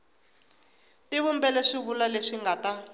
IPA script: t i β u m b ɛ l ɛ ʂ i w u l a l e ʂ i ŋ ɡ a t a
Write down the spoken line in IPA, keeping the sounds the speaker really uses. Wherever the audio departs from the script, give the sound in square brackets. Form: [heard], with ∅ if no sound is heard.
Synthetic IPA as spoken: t i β u m b ɛ l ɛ ʂ i [β] u l a l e ʂ i ŋ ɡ a t a